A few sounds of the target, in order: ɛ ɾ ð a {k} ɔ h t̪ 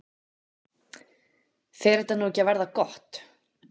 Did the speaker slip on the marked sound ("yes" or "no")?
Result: no